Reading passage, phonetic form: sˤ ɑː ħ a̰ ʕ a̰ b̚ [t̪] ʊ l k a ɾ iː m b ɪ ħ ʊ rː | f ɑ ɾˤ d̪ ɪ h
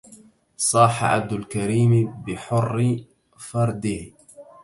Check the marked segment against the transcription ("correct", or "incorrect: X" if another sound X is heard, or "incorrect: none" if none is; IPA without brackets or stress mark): incorrect: d̪